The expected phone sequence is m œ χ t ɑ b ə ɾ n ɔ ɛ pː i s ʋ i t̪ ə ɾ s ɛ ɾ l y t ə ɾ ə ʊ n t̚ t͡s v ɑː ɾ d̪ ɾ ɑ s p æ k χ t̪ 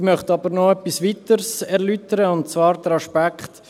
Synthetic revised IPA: m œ χ t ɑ b ə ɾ n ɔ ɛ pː i s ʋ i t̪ ə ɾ s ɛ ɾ l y t ə ɾ ə ʊ n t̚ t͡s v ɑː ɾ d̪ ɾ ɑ ʃ p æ k χ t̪